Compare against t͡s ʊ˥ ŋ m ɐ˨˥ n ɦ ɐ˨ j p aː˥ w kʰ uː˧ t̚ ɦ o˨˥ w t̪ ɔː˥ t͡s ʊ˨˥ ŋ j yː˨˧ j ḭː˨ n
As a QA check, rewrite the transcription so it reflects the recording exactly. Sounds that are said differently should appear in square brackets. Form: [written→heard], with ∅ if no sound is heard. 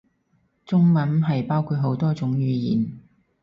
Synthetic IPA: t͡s ʊ˥ ŋ m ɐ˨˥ n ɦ ɐ˨ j p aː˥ w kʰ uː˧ t̚ ɦ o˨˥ w t̪ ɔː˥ t͡s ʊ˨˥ ŋ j yː˨˧ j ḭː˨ n